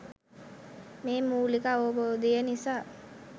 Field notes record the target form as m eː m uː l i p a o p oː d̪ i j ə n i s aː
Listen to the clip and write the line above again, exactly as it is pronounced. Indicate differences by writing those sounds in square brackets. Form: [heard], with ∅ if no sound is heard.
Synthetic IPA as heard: m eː m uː l i [k] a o [b] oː d̪ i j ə n i s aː